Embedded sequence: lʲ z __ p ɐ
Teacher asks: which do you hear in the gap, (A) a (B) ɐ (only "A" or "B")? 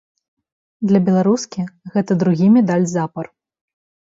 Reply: A